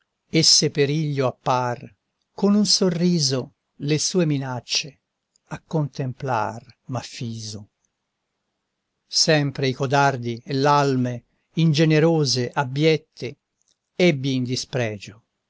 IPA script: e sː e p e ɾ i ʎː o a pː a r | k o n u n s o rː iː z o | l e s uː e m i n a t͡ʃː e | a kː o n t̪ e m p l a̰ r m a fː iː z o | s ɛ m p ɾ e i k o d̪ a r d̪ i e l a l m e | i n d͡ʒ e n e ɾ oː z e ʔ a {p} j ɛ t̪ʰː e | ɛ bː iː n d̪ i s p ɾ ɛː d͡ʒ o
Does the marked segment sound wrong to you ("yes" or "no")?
yes